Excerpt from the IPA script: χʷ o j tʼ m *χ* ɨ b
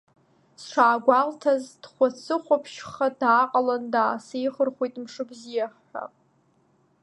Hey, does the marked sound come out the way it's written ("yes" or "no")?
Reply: no